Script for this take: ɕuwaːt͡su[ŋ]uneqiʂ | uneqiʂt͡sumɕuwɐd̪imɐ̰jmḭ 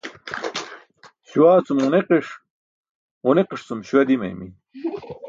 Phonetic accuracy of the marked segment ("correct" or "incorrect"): incorrect